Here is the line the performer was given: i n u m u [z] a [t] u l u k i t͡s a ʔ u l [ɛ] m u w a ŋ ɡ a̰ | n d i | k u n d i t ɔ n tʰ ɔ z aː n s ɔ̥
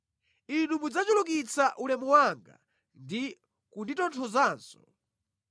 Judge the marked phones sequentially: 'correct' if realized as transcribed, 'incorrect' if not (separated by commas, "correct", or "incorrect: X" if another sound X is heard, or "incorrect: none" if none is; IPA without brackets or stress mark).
incorrect: d͡z, incorrect: t͡ʃ, correct